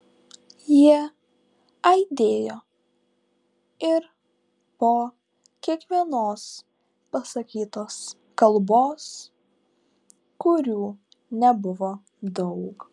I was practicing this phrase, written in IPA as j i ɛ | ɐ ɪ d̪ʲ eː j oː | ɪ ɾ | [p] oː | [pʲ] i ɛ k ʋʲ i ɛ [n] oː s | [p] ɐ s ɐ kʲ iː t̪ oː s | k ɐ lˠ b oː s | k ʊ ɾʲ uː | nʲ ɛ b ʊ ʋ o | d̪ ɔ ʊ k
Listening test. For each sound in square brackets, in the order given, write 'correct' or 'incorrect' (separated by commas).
correct, incorrect, correct, correct